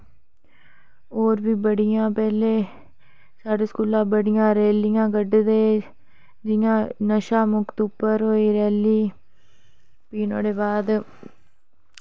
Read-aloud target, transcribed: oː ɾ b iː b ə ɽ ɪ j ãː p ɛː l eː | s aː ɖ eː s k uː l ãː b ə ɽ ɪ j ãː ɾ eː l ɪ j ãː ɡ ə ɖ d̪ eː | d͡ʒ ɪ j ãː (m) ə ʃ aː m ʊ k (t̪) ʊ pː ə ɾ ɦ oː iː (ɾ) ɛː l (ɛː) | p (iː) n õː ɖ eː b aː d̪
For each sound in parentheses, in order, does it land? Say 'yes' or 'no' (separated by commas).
no, yes, yes, no, yes